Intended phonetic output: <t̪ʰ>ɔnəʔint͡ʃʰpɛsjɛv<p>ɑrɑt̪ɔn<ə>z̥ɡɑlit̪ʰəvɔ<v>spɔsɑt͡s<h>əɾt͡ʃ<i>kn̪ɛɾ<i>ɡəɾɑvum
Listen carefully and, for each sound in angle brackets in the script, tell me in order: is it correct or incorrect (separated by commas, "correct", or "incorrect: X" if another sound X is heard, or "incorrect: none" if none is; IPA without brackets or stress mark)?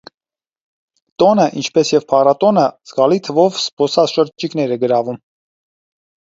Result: incorrect: t̪, incorrect: pʰ, correct, correct, incorrect: ʃ, correct, incorrect: ɛ